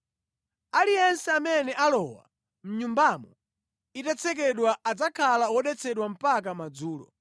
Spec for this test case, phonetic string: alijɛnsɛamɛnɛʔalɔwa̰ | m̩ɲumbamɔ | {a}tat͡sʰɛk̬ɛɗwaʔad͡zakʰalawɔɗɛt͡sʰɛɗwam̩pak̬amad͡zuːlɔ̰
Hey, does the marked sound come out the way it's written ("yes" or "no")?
no